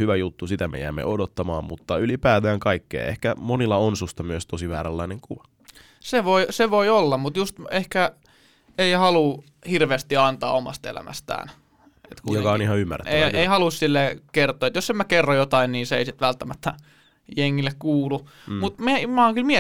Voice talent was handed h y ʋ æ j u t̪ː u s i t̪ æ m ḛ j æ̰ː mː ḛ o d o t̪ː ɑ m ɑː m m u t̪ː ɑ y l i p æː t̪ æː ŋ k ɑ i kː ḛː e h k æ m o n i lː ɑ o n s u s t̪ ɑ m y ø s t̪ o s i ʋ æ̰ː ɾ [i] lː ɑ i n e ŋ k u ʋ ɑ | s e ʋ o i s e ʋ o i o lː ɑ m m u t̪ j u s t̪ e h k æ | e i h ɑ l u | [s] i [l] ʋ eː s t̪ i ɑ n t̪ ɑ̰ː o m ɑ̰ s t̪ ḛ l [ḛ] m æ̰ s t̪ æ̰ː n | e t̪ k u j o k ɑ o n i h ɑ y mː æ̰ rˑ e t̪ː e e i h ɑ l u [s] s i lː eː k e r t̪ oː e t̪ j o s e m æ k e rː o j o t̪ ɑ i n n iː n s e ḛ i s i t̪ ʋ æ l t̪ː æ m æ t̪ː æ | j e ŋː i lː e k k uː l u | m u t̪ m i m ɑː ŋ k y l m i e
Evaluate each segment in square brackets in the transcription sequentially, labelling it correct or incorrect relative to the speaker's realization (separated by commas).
incorrect, incorrect, incorrect, incorrect, correct